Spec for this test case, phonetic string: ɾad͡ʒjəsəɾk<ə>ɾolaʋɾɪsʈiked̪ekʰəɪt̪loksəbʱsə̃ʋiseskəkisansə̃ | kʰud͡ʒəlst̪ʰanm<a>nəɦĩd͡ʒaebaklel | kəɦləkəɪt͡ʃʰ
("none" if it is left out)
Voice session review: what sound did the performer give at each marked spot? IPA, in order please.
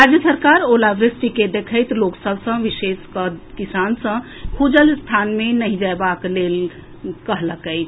a, e

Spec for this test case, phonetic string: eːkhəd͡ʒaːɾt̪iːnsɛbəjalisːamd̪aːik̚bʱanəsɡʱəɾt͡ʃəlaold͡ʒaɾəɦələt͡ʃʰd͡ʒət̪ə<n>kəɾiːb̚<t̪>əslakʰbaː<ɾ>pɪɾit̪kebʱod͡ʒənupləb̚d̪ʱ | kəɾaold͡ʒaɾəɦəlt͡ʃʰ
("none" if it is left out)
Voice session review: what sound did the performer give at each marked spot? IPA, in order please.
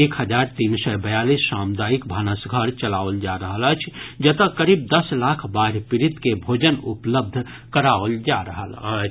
none, d̪, ɾ

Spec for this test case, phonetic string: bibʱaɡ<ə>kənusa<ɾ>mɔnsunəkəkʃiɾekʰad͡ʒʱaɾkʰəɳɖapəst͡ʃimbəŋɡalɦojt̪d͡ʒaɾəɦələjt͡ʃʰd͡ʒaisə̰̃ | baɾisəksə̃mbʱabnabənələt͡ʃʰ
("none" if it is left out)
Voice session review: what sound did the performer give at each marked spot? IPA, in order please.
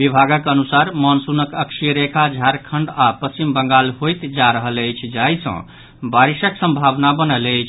ə, ɾ

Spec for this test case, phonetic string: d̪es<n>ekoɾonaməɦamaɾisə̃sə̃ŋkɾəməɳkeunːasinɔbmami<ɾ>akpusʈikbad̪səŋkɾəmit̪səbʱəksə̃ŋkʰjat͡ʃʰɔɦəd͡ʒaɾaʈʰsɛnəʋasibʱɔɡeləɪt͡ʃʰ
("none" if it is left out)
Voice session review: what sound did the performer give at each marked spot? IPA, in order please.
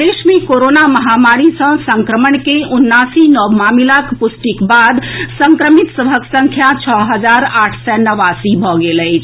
m, l

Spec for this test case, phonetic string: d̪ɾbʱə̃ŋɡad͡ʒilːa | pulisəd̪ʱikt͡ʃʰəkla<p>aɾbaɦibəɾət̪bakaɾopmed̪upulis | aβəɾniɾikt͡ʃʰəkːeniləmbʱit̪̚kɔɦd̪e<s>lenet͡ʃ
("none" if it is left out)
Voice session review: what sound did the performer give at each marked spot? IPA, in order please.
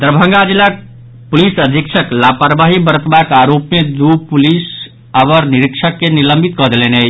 p, none

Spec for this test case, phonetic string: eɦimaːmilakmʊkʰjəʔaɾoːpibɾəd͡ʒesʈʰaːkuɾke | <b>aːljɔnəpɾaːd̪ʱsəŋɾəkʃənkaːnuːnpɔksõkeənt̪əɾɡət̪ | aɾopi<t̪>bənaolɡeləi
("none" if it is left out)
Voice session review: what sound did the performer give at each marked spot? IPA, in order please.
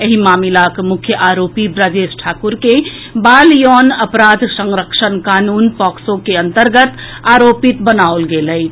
b, t̪

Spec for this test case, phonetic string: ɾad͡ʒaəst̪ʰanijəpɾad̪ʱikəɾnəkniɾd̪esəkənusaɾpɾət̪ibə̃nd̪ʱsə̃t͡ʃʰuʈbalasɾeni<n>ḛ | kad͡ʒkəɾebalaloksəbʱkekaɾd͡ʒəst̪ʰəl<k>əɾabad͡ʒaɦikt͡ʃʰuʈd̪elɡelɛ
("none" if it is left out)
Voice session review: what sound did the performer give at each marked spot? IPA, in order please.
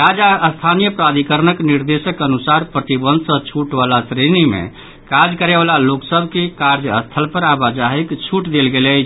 m, p

